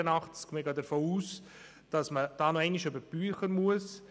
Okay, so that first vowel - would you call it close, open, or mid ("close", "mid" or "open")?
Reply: mid